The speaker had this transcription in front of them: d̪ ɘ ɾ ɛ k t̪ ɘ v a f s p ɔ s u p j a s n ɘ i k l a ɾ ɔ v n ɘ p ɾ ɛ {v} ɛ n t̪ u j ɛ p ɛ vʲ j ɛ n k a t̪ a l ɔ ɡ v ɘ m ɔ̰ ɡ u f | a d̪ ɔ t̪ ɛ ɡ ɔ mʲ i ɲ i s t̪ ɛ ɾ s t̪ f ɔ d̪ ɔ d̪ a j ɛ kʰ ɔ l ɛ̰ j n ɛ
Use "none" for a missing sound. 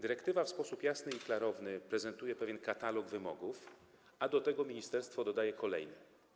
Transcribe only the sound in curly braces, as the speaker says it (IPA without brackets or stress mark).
z